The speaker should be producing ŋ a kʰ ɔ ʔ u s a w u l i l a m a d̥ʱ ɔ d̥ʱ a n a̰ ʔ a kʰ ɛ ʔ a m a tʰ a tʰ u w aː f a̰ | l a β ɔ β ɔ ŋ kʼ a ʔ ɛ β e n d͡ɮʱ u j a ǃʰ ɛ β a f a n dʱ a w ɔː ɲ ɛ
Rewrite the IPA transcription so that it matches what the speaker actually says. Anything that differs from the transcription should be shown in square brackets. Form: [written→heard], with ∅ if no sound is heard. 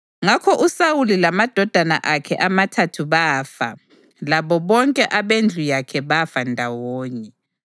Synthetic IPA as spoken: ŋ a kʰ ɔ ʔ u s a w u l i l a m a d̥ʱ ɔ d̥ʱ a n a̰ ʔ a kʰ ɛ ʔ a m a tʰ a tʰ u [w→β] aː f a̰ | l a β ɔ β ɔ ŋ kʼ [a→ɛ] ʔ [ɛ→a] β e n d͡ɮʱ u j a [ǃʰ→kʰ] ɛ β a f a n dʱ a w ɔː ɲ ɛ